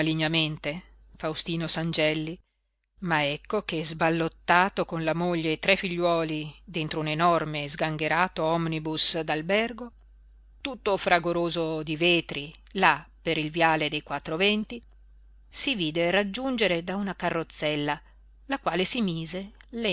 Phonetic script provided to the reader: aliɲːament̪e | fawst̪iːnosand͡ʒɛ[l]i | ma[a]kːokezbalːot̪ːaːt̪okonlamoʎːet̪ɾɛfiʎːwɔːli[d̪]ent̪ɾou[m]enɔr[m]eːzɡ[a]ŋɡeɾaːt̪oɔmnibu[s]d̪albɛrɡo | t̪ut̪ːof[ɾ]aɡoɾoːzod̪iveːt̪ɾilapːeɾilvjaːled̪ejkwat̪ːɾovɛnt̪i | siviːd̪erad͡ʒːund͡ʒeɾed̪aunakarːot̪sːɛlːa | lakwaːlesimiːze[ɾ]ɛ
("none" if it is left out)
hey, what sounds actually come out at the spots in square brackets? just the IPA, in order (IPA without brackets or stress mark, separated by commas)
lː, ɛ, d̪, n, m, a, s, ɾ, l